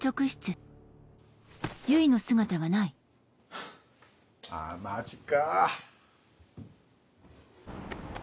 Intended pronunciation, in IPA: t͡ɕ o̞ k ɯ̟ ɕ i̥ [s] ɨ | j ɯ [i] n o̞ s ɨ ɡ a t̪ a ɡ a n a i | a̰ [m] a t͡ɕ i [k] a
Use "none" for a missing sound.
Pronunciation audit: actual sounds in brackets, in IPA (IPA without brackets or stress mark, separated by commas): t͡s, i, m, k